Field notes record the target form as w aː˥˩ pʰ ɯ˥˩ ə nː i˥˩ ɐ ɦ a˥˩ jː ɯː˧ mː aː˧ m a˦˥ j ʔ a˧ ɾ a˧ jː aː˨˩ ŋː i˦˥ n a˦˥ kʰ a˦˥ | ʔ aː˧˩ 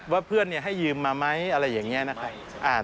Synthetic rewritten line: w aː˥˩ pʰ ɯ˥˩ ə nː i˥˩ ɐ ɦ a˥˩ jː ɯː˧ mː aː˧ m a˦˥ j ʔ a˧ ɾ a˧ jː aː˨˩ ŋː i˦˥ n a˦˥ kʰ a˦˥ | ʔ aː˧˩

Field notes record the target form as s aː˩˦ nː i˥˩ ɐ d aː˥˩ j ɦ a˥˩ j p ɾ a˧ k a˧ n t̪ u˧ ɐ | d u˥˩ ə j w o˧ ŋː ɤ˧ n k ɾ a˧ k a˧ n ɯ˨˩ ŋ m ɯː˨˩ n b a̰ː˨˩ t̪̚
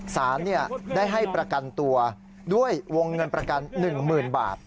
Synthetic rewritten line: s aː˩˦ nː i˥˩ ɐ d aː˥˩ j ɦ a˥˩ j p ɾ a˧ k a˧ n t̪ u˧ ɐ | d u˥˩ ə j w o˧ ŋː ɤ˧ n p ɾ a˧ k a˧ nː ɯ˨˩ ŋ m ɯː˨˩ n b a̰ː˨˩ t̪̚

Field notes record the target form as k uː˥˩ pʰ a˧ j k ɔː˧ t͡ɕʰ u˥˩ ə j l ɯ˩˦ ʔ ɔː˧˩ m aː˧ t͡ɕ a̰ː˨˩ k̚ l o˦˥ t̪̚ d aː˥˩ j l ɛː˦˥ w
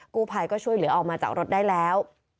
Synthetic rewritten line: k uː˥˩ pʰ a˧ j k ɔː˥˩ t͡ɕʰ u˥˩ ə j l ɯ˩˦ ʔ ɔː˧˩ m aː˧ t͡ɕ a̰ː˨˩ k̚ ɾ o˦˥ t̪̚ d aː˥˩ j l ɛː˦˥ w

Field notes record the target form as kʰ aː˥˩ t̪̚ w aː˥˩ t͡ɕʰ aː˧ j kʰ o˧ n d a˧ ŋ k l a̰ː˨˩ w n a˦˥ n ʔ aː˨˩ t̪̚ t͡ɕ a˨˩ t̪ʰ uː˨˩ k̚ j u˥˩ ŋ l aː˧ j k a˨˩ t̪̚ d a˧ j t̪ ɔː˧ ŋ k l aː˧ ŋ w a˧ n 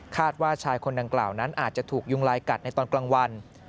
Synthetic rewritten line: kʰ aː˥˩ t̪̚ w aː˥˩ t͡ɕʰ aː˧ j kʰ o˧ n d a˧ ŋ k l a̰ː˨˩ w n a˦˥ n ʔ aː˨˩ t̪̚ t͡ɕ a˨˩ t̪ʰ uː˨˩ k̚ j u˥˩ ŋ l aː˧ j k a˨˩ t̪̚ n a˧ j t̪ ɔː˧ n k l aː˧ ŋ w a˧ n

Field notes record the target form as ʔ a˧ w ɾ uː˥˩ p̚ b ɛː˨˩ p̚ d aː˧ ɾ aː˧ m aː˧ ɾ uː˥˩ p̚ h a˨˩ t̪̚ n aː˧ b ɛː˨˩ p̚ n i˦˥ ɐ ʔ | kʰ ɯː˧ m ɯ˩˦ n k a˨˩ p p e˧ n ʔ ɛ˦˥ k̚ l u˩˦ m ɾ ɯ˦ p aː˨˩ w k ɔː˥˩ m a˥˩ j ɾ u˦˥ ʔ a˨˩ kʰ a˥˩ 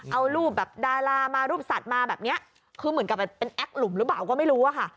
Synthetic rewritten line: ʔ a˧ w ɾ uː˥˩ p̚ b ɛː˨˩ p̚ d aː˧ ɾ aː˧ m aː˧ ɾ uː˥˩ p̚ s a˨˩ t̪̚ m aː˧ b ɛː˨˩ p̚ n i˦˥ ɐ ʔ | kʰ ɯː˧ m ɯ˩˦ n k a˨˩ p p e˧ n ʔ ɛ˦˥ k̚ l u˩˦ m ɾ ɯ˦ p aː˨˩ w k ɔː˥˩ m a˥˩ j ɾ uː˦˥ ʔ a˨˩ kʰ a˥˩

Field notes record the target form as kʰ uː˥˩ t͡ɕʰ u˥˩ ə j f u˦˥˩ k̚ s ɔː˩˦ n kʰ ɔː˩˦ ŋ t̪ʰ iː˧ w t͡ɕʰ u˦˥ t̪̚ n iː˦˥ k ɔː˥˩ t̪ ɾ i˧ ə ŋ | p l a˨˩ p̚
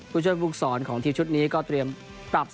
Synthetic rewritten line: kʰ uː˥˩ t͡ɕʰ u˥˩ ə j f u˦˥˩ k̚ s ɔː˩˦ n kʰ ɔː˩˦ ŋ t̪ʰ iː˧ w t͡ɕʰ u˦˥ t̪̚ n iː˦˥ k ɔː˥˩ t̪ ɾ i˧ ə m | p ɾ a˨˩ p̚

